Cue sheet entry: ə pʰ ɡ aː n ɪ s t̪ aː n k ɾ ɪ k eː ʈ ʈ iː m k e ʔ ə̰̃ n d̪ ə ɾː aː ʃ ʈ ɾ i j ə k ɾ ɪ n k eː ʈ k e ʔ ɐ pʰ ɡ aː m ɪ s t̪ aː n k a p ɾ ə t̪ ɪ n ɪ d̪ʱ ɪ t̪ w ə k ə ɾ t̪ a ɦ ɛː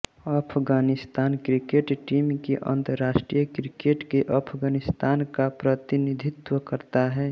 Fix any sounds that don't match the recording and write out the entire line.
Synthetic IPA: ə pʰ ɡ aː n ɪ s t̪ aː n k ɾ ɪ k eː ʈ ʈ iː m k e ʔ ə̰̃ n t̪ ə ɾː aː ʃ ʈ ɾ i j ə k ɾ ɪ k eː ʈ k e ʔ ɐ pʰ ɡ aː n ɪ s t̪ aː n k a p ɾ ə t̪ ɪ n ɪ d̪ʱ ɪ t̪ w ə k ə ɾ t̪ a ɦ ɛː